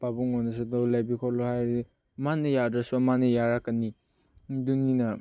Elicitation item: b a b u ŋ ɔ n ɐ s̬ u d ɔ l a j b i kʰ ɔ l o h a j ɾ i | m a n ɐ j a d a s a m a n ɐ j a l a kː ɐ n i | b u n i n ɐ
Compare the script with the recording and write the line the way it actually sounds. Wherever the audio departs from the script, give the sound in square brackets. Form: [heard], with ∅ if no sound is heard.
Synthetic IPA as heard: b a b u ŋ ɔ n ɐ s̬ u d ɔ l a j b i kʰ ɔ l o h a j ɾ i | m a n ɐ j a d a s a m a n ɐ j a [ɾ] a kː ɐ n i | [d] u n i n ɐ

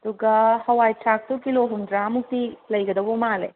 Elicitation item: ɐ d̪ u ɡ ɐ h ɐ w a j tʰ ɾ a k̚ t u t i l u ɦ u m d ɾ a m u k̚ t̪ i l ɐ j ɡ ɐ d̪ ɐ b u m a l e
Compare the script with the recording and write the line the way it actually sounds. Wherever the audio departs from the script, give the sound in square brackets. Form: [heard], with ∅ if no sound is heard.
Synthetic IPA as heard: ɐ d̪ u ɡ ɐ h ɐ w a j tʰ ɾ a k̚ t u [k] i l [o] ɦ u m d ɾ a m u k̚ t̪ i l ɐ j ɡ ɐ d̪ ɐ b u m a l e

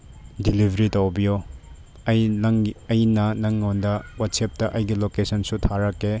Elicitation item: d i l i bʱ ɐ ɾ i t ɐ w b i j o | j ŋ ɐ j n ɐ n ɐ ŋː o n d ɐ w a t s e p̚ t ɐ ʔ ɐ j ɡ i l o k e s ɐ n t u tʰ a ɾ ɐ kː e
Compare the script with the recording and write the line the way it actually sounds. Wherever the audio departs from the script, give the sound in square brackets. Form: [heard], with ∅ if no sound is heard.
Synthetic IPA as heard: d i l i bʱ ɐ ɾ i t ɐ w b i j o | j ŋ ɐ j n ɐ n ɐ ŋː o n d ɐ w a t s e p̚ t ɐ ʔ ɐ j ɡ i l o k e s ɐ n [s] u tʰ a ɾ ɐ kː e

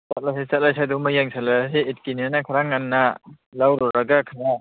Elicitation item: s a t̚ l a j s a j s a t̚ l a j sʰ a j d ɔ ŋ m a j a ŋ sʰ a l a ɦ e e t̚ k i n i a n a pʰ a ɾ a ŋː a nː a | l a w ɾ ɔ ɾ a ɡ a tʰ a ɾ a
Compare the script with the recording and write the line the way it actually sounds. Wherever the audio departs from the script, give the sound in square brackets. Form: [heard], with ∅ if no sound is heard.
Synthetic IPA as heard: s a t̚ l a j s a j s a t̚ l a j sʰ a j d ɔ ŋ m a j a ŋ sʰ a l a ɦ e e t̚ k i n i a n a [kʰ] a ɾ a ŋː a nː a | l a w ɾ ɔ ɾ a ɡ a [kʰ] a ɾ a

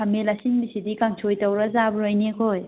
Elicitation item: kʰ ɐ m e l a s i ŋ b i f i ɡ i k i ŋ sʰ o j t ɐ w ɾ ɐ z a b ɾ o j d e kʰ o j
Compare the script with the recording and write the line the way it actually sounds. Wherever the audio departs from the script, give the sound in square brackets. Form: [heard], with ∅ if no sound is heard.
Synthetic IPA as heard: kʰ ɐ m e l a s i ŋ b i [s] i [d] i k [a] ŋ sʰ o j t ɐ w ɾ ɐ z a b ɾ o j [n] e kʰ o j

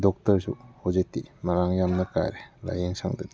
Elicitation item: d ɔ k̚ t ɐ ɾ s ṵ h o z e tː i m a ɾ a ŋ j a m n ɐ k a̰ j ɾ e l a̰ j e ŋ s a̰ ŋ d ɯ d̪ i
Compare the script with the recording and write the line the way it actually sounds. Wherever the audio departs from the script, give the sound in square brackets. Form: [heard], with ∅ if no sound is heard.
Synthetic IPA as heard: d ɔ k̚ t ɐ ɾ s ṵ h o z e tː i m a ɾ a ŋ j a m n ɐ k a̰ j ɾ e l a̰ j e ŋ s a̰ ŋ d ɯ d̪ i

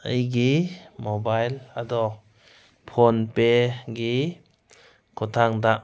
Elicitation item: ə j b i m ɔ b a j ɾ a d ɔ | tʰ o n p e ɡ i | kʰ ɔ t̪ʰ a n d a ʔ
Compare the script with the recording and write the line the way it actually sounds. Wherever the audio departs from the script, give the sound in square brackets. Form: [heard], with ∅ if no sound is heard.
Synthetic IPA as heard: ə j [ɡ] i m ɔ b a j [l] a d ɔ | [pʰ] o n p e ɡ i | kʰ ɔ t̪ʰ a [ŋ] d a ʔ

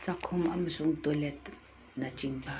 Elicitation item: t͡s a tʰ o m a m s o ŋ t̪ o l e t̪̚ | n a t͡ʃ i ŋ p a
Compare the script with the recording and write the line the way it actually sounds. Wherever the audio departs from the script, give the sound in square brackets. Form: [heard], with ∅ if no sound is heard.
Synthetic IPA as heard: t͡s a [kʰ] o m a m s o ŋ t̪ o l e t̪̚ | n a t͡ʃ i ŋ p a

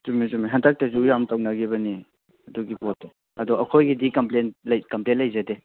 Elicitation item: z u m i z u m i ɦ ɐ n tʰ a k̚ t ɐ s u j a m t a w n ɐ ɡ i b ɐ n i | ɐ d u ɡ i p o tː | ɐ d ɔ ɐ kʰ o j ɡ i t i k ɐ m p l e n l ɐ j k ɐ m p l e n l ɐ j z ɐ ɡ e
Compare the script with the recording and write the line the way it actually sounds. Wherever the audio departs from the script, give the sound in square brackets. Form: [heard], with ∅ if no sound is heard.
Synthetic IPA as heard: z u m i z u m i ɦ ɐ n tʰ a k̚ t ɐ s u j a m t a w n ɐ ɡ i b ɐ n i | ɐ d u ɡ i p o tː | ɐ d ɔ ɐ kʰ o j ɡ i [d] i k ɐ m p l e n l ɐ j k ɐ m p l e n l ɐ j z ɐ [d] e

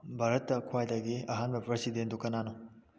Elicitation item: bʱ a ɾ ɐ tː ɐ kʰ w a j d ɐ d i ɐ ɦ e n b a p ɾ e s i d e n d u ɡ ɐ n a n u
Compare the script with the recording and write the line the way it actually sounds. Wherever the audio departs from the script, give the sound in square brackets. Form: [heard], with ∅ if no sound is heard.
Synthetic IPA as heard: bʱ a ɾ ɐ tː ɐ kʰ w a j d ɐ [ɡ] i ɐ ɦ [a] n b [ɐ] p ɾ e s i d e n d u [k] ɐ n a n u

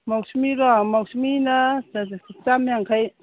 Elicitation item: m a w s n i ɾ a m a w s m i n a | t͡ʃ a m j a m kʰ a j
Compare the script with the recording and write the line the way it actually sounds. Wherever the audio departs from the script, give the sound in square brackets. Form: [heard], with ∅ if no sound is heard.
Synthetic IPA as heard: m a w s [m] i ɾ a m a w s m i n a | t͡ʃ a m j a [ŋ] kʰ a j

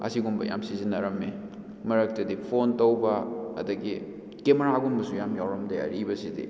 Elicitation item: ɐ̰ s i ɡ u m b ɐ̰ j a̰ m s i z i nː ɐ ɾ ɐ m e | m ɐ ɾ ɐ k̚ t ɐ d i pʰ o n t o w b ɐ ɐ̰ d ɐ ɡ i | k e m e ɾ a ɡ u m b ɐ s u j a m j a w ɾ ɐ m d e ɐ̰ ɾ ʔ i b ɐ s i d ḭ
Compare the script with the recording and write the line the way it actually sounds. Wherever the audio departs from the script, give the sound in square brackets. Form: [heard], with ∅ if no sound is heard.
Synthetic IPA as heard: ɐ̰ s i ɡ u m b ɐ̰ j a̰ m s i z i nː ɐ ɾ ɐ m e | m ɐ ɾ ɐ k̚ t ɐ d i pʰ o n t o w b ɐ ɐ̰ d ɐ ɡ i | k e m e ɾ a ɡ u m b ɐ s u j a m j a w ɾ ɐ m d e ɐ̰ ɾ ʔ i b ɐ s i d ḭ

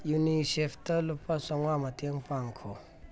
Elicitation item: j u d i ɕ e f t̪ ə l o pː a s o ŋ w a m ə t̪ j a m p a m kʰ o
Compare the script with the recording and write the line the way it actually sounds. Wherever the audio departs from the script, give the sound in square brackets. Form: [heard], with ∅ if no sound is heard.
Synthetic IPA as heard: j u [n] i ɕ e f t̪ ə l o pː a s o ŋ w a m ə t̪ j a [ŋ] p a [ŋ] kʰ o

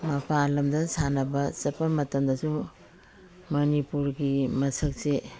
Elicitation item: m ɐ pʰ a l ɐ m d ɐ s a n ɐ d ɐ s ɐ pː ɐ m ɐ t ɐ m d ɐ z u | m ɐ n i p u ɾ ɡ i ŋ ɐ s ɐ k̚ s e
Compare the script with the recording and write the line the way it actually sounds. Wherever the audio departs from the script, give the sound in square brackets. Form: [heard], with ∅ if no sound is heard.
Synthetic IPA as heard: m ɐ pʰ a l ɐ m d ɐ s a n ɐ [b] ɐ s ɐ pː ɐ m ɐ t ɐ m d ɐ [s] u | m ɐ n i p u ɾ ɡ i [m] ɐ s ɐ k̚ s e

